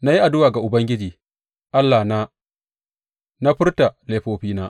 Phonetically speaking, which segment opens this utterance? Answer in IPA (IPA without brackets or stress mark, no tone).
n